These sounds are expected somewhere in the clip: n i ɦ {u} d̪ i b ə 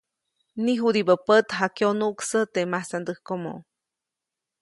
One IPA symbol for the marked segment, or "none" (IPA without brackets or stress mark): u